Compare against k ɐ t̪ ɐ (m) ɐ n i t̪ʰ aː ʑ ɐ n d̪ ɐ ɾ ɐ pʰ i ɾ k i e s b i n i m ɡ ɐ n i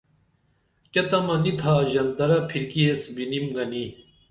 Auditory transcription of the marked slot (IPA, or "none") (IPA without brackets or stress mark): m